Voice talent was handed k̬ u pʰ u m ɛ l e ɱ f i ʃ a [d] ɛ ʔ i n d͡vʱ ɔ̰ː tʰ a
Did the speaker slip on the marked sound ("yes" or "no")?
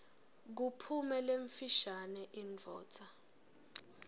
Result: yes